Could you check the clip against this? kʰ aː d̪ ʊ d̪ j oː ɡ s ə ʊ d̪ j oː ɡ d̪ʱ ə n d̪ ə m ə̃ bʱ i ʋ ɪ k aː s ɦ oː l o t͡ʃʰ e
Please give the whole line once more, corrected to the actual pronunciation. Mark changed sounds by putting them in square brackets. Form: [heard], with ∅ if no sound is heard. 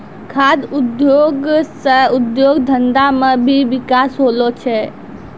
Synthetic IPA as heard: kʰ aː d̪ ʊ d̪ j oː ɡ s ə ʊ d̪ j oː ɡ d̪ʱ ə n d̪ [a] m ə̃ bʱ i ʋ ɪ k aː s ɦ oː l o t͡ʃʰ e